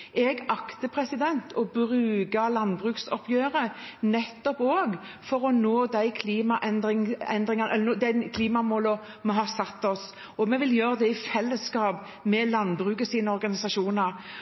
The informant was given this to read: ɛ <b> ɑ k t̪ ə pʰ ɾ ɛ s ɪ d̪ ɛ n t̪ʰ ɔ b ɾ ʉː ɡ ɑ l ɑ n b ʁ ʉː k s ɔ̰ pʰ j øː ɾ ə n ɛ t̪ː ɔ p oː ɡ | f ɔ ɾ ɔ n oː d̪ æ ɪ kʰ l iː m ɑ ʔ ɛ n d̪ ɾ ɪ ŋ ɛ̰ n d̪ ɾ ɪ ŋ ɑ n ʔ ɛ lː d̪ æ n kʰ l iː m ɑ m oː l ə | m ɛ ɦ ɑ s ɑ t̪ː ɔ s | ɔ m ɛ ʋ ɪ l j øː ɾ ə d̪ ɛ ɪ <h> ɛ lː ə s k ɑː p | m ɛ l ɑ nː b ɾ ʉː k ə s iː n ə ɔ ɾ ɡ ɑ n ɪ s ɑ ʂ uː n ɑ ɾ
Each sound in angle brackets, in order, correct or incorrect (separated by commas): incorrect, incorrect